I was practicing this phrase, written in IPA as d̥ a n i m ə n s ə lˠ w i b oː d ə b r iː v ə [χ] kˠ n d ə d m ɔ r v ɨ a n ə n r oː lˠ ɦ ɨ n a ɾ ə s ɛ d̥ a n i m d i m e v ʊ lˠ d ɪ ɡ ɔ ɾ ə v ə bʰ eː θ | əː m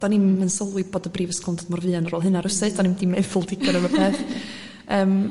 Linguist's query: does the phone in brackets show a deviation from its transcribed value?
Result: yes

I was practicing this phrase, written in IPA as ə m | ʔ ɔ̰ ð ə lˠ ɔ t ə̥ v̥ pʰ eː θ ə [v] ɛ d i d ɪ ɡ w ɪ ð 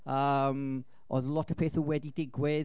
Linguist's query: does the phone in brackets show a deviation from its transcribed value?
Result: yes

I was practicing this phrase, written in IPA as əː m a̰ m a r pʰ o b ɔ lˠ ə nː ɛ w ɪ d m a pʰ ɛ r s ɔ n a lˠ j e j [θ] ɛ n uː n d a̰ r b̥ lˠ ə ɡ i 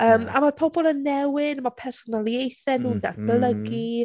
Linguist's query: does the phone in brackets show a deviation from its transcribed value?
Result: no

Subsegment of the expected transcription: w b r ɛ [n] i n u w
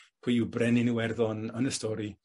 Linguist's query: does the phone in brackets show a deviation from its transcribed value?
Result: no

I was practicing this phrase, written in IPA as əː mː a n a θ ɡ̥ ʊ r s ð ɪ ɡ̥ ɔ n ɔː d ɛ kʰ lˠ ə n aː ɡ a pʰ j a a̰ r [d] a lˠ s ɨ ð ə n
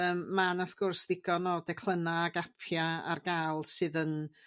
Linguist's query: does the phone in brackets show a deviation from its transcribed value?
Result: yes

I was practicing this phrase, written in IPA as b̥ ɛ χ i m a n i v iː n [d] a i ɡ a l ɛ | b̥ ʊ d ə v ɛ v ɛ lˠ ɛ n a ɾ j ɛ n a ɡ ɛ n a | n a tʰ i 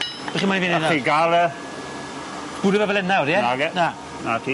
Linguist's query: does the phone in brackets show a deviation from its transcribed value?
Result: yes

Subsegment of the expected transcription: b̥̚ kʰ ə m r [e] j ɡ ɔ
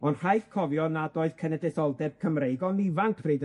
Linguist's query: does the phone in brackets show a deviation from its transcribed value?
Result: no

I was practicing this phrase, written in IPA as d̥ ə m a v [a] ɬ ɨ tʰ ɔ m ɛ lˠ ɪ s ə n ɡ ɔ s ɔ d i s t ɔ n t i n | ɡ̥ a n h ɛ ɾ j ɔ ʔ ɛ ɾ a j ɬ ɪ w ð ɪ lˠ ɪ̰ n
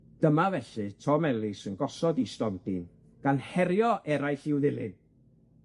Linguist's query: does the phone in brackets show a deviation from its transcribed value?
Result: yes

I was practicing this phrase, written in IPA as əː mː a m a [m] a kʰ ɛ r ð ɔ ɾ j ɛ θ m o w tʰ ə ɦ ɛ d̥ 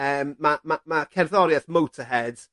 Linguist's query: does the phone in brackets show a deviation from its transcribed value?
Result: no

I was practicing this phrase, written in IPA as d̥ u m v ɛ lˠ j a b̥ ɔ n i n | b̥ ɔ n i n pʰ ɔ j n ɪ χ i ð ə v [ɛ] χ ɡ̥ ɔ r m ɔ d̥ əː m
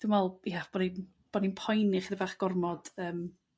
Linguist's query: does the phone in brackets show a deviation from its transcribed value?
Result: yes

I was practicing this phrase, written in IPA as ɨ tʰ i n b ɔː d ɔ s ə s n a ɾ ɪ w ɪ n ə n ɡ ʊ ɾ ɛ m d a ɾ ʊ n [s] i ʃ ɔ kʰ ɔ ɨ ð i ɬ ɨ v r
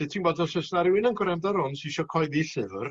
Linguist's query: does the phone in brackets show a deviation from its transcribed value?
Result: no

